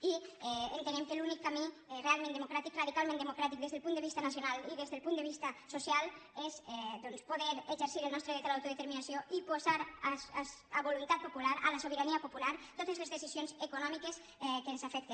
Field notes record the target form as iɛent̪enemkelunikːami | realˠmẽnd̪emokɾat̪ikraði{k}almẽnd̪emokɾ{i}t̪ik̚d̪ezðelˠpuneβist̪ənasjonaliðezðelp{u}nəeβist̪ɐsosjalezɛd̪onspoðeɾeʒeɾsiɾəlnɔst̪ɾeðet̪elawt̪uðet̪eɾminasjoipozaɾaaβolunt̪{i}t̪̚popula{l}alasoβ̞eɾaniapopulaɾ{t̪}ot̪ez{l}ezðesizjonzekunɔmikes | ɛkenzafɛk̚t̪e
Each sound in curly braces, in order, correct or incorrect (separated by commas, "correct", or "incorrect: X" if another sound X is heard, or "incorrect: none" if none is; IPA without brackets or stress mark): correct, incorrect: a, correct, incorrect: a, incorrect: ɾ, correct, correct